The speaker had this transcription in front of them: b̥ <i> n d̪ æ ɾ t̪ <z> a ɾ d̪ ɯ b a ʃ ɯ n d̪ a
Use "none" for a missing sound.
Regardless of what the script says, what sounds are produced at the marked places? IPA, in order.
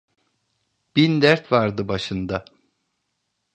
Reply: i, v

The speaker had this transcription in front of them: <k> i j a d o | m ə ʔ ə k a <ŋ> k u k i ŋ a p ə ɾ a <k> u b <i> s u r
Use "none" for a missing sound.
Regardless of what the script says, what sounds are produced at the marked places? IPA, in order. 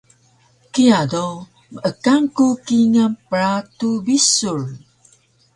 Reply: k, ŋ, t, i

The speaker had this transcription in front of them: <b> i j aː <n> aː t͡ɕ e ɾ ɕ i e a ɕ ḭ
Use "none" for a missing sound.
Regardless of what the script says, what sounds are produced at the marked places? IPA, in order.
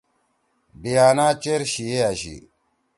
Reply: b, n

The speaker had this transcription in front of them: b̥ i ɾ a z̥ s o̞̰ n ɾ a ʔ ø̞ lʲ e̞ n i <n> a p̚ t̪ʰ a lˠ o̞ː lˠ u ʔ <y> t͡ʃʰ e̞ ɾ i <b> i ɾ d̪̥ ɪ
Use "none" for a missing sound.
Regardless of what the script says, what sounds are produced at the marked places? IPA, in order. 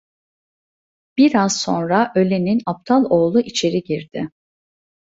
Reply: n, i, ɟ

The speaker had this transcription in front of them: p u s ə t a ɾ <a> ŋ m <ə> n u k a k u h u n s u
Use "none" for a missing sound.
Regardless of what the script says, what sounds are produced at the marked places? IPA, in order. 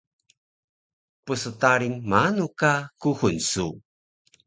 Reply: i, a

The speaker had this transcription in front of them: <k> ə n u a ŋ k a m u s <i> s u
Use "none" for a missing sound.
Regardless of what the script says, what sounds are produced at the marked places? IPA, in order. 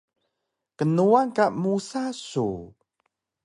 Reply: k, a

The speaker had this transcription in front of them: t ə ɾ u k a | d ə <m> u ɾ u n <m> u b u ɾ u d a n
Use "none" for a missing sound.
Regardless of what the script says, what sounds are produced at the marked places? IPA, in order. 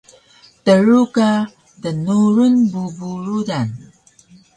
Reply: n, b

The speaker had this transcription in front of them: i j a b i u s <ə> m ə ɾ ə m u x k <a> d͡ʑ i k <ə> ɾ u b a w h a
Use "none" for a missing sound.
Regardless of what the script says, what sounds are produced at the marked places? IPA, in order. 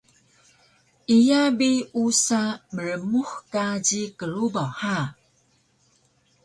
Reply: a, a, ə

